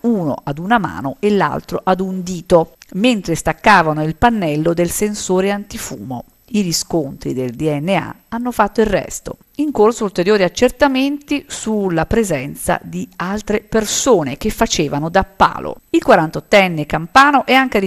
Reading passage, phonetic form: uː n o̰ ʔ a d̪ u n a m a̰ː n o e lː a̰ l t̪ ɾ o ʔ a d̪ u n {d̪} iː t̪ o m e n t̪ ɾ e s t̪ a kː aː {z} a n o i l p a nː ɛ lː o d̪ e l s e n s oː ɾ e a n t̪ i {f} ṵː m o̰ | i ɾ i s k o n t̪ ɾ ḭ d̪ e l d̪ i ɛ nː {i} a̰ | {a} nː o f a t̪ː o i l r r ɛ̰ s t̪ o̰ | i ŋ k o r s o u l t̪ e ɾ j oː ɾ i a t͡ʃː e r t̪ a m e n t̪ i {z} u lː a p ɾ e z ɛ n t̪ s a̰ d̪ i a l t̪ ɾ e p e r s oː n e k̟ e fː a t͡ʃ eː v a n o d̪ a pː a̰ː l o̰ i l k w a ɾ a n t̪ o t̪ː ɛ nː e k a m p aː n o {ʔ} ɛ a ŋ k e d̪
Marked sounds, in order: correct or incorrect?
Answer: correct, incorrect, correct, incorrect, correct, incorrect, correct

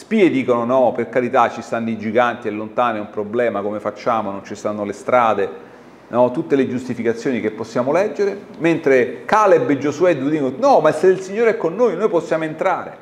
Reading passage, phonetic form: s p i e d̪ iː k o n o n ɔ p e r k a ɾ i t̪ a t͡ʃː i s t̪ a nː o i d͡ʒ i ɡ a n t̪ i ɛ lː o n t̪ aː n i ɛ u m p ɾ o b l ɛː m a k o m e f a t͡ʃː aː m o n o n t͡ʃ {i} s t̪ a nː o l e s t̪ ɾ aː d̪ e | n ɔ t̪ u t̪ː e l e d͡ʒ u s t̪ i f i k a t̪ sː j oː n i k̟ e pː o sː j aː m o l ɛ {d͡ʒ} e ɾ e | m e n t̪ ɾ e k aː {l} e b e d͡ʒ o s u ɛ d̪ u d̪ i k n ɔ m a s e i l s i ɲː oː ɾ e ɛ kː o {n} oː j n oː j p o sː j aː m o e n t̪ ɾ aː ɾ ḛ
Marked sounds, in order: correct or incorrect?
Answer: correct, incorrect, correct, incorrect

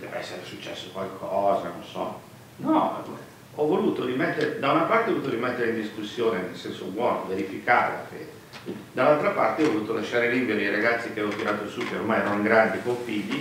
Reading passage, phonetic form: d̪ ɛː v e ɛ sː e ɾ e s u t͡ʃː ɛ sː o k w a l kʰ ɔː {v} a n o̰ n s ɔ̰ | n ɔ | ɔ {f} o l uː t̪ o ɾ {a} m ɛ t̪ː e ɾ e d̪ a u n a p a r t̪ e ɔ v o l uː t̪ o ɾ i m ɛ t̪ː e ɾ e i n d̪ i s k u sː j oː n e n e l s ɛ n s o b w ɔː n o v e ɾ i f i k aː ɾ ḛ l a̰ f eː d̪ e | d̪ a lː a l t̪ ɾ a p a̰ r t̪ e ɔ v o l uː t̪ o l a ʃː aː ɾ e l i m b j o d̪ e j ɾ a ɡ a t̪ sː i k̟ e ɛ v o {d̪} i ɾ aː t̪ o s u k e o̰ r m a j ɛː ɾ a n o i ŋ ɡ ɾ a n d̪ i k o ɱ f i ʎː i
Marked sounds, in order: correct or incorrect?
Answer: incorrect, incorrect, incorrect, incorrect

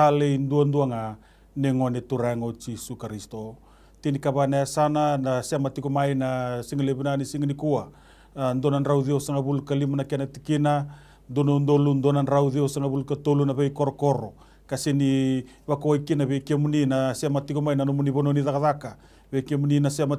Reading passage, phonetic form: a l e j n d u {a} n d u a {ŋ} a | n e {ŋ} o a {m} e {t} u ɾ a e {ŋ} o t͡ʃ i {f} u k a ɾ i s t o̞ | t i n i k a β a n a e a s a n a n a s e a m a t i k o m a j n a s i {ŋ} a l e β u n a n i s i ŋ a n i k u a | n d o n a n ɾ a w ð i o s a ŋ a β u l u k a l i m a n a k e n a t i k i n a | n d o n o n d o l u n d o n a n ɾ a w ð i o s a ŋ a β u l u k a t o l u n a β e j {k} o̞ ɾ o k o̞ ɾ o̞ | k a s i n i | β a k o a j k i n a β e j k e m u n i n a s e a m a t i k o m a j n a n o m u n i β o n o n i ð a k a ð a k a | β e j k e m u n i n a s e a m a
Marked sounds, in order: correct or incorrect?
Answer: correct, correct, correct, incorrect, correct, correct, incorrect, correct, correct

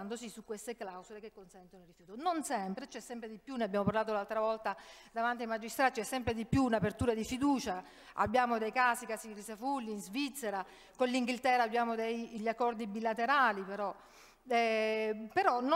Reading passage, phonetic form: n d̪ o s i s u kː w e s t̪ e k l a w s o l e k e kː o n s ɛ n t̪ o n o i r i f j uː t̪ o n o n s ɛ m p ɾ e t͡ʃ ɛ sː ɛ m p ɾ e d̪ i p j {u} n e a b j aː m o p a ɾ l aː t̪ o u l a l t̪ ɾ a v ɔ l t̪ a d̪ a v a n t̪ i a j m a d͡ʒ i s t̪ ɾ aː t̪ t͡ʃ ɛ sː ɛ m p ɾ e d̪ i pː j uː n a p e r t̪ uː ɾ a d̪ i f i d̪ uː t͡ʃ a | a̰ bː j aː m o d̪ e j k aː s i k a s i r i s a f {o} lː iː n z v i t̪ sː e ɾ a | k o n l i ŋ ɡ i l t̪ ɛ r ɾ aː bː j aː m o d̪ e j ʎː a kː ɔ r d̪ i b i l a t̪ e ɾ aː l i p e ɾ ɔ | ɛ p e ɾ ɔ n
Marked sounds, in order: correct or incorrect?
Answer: correct, incorrect

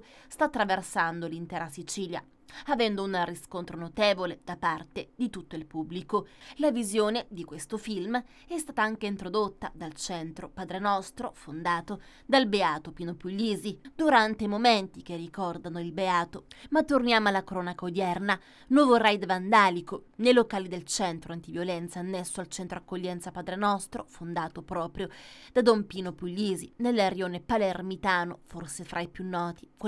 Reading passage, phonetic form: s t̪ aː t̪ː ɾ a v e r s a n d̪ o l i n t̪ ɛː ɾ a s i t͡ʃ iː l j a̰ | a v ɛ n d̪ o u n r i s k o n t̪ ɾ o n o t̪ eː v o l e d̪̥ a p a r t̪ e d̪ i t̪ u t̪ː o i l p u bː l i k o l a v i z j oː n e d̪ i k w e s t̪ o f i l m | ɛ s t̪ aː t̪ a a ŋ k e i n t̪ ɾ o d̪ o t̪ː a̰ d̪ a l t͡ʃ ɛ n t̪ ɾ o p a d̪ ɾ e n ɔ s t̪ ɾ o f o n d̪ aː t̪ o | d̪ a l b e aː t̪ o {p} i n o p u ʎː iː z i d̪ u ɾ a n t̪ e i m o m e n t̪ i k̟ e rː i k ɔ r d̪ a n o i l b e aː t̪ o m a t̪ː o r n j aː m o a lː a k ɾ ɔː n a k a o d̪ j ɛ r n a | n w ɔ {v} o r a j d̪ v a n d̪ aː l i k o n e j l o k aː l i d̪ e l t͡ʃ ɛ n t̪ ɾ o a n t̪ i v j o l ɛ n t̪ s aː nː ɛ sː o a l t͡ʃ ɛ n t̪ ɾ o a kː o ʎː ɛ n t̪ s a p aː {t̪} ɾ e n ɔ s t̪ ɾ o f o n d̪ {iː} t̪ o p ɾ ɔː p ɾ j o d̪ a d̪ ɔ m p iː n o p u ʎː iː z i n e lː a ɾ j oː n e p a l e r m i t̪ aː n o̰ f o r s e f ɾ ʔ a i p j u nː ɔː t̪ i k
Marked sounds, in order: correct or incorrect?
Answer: correct, correct, incorrect, incorrect

